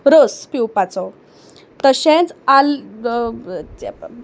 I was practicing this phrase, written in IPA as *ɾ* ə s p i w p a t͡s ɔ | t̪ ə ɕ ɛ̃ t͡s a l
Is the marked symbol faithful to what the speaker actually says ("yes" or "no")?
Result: yes